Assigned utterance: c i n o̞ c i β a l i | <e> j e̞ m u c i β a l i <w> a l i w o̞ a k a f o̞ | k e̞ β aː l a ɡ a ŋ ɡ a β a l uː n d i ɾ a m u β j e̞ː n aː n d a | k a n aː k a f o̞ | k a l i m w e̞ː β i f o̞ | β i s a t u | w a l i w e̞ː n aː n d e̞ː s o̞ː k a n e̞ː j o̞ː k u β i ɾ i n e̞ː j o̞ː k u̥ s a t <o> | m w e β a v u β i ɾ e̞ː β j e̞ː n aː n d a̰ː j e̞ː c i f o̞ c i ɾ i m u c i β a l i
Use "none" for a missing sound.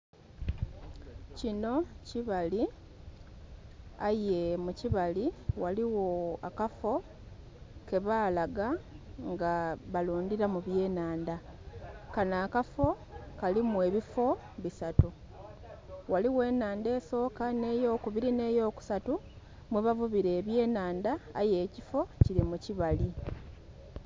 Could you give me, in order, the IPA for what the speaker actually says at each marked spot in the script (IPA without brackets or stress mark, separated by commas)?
a, w, u